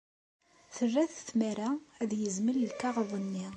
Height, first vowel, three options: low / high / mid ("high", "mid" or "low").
mid